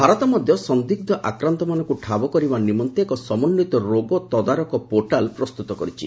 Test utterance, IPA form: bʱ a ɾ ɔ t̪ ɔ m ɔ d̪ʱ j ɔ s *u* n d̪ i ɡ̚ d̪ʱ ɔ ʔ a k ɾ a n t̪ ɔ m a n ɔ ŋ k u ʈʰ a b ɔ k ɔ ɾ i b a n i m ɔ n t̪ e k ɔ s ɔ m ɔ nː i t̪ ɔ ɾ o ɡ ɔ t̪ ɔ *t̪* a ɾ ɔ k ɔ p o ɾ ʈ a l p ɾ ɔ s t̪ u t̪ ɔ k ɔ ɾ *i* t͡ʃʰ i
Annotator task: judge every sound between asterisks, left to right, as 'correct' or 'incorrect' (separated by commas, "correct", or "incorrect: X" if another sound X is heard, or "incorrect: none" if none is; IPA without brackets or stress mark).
incorrect: ɔ, incorrect: d̪, correct